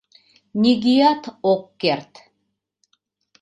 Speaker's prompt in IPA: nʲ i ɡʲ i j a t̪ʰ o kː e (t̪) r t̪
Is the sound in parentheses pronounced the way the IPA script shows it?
no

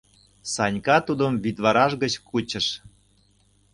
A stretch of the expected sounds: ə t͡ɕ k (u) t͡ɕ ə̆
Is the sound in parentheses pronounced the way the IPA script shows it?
yes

